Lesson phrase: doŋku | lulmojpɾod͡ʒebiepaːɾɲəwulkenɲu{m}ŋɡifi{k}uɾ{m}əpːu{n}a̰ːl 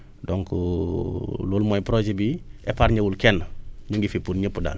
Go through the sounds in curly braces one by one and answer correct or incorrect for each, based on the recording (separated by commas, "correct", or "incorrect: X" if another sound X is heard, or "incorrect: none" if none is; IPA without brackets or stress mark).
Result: incorrect: none, incorrect: p, incorrect: ɲ, incorrect: d